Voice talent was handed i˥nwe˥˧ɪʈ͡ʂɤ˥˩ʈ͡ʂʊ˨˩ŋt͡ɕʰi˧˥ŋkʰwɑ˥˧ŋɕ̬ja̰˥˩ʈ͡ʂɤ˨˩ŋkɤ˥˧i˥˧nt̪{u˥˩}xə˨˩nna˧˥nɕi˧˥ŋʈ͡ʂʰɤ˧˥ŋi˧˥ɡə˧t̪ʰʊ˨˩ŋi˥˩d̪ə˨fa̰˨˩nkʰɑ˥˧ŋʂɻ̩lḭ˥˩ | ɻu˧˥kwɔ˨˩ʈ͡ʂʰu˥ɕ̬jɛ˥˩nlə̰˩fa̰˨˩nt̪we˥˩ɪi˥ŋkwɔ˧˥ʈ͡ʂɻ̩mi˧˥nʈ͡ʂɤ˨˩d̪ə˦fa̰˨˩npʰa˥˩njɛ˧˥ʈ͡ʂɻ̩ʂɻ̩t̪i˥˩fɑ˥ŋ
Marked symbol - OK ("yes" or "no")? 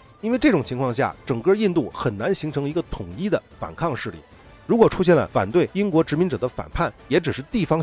yes